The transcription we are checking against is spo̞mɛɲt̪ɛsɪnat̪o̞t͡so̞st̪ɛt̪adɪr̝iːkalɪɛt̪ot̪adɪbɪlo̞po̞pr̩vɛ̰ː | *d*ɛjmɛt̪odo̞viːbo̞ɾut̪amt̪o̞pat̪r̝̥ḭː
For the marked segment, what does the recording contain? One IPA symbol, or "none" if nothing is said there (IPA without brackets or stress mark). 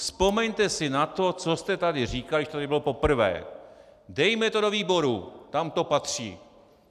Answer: d